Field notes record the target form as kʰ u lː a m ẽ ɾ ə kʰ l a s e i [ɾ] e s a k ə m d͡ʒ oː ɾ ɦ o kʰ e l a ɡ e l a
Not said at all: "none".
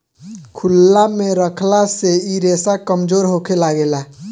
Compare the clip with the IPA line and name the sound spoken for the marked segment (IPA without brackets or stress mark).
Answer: ɾ